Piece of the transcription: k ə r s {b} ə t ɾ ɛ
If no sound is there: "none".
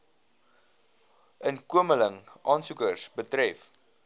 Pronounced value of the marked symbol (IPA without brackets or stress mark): b